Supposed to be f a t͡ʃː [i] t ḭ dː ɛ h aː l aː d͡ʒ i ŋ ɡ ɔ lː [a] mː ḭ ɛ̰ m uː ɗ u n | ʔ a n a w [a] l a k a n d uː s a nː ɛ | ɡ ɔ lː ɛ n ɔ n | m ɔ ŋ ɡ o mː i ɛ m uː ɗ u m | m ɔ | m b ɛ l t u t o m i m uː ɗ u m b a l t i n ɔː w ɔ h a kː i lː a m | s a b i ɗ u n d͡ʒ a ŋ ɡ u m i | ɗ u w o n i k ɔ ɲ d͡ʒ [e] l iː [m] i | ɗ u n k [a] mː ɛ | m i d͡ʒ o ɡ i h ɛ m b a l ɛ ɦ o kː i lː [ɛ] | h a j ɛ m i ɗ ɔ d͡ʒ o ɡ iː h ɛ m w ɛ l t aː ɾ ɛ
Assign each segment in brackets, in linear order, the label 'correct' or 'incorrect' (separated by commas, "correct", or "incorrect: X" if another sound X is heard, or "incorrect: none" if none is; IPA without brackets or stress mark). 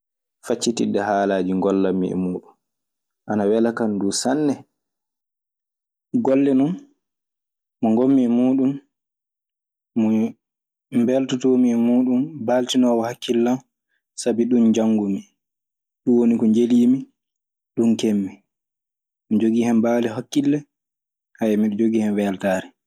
correct, correct, incorrect: ɛ, correct, correct, incorrect: e, correct